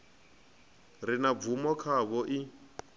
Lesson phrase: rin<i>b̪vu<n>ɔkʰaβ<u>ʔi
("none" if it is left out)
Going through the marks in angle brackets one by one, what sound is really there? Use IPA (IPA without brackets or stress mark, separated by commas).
a, m, ɔ